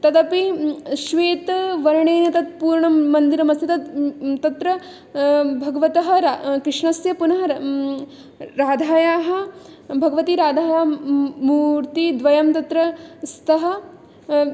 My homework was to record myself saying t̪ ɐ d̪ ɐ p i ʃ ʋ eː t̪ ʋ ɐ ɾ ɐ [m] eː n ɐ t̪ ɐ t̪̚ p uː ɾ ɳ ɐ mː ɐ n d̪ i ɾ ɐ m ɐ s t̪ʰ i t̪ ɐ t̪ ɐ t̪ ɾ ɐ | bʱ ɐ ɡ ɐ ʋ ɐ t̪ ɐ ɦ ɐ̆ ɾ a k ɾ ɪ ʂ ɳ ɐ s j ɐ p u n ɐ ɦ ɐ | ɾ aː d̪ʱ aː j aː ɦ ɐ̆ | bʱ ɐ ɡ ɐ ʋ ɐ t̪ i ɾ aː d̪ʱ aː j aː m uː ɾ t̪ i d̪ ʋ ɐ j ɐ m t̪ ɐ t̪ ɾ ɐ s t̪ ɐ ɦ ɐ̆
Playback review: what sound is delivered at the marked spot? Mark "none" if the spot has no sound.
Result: ɳ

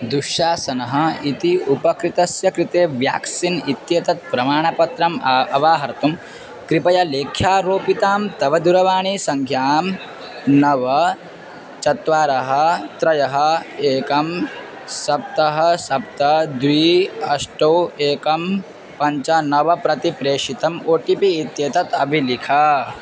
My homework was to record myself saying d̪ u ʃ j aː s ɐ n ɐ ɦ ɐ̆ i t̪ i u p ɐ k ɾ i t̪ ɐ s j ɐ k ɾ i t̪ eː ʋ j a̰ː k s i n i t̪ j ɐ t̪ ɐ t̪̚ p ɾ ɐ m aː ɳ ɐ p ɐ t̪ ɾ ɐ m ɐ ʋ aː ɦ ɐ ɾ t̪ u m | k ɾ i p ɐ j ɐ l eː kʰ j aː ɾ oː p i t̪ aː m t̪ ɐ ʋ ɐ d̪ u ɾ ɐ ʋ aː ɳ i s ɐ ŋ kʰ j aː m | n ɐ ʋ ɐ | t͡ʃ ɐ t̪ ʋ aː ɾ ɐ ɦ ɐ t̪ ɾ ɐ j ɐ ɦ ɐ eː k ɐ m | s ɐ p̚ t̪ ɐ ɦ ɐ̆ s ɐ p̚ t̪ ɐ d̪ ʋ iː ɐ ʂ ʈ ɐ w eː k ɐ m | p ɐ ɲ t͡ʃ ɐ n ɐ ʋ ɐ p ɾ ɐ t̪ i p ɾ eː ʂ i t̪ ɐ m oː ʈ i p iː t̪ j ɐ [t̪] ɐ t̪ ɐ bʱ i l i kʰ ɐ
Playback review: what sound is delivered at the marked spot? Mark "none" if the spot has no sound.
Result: t̪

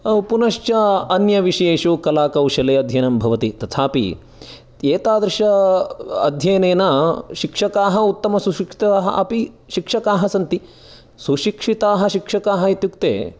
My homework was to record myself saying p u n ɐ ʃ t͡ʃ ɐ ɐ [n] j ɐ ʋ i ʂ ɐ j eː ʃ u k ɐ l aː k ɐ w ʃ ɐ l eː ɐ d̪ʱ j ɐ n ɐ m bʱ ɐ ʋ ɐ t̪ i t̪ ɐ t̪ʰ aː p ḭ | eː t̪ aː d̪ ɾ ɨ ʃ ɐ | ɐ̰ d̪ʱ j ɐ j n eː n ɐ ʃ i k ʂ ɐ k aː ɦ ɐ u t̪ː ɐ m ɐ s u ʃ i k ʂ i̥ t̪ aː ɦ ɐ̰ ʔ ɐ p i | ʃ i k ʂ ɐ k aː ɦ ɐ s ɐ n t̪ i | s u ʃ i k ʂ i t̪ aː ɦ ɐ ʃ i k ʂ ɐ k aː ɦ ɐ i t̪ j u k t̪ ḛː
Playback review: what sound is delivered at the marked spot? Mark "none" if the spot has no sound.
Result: n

